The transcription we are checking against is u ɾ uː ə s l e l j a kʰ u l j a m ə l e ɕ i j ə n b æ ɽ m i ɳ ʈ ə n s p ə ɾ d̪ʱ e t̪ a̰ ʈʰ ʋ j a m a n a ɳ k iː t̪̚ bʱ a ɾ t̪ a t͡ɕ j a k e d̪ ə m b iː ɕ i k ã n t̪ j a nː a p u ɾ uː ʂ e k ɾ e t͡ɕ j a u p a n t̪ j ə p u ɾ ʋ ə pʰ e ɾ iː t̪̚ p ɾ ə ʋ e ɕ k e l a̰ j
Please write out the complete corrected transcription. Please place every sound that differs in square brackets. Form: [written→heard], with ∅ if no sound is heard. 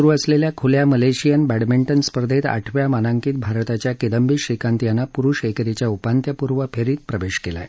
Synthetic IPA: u ɾ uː ə s l e l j a kʰ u l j a m ə l e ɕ i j ə n b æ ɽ m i ɳ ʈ ə n s p ə ɾ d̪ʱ e t̪ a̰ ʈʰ ʋ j a m a n a [ɳ→ŋ] k iː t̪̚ bʱ a ɾ t̪ a t͡ɕ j a k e d̪ ə m b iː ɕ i k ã n t̪ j a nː a p u ɾ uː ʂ e k ɾ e t͡ɕ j a u p a n t̪ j ə p u ɾ ʋ ə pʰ e ɾ iː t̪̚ p ɾ ə ʋ e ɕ k e l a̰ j